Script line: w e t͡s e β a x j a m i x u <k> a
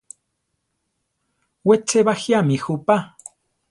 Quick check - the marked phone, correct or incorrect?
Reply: incorrect